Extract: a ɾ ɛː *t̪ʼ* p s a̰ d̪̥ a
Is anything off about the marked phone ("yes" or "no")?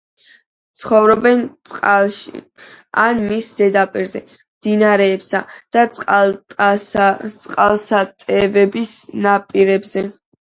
yes